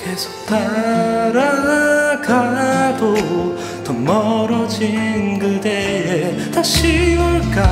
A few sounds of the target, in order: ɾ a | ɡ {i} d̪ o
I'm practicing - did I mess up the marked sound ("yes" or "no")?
yes